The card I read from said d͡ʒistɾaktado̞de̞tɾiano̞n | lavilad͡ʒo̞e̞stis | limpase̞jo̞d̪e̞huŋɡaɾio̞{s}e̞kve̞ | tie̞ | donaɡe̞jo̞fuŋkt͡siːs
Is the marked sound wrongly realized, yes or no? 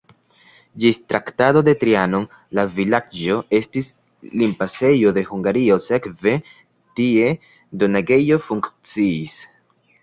no